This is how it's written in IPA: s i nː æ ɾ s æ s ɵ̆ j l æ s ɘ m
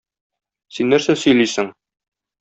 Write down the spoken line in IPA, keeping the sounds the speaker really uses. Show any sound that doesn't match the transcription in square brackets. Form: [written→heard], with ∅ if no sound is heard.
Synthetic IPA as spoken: s i nː æ ɾ s æ s ɵ̆ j l [æ→i] s ɘ [m→ŋ]